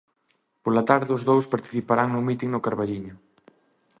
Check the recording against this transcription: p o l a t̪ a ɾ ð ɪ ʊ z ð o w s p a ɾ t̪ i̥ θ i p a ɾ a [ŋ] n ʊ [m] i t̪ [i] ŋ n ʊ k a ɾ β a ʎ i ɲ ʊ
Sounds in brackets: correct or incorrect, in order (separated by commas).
correct, correct, correct